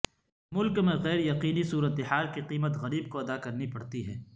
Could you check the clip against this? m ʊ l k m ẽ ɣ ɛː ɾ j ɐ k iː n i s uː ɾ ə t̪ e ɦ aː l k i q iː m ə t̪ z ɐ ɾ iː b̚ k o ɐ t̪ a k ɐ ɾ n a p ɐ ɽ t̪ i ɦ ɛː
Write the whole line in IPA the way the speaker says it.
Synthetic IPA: m ʊ l k m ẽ ɣ ɛː ɾ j ɐ q iː n i s uː ɾ ə t̪ e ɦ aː l k i q iː m ə t̪ ɣ ɐ ɾ iː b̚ k o ɐ d̪ a k ɐ ɾ n i p ɐ ɽ t̪ i ɦ ɛː